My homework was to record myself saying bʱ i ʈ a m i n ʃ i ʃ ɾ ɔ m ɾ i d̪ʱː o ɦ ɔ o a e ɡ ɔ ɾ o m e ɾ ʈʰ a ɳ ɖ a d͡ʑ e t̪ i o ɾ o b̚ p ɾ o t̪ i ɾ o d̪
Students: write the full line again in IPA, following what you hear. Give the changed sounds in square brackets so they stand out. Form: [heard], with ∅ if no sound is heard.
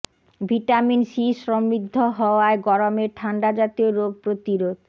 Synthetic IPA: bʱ i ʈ a m i n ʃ i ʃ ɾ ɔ m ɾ i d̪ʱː o ɦ ɔ o a e ɡ ɔ ɾ o m e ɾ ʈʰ a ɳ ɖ a d͡ʑ [a] t̪ i o ɾ o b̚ p ɾ o t̪ i ɾ o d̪